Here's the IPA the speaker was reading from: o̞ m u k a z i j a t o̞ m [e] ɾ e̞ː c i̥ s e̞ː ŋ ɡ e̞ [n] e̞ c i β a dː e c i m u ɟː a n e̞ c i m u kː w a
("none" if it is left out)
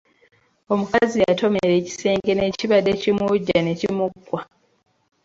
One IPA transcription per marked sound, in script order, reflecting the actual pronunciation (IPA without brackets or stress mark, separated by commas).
e, n